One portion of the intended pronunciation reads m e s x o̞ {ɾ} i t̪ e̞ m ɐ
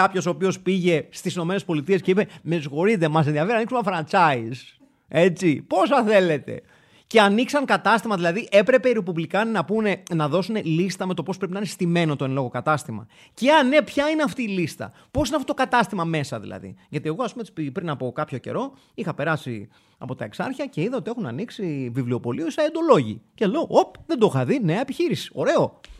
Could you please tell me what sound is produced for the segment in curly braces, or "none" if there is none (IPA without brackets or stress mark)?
ɾ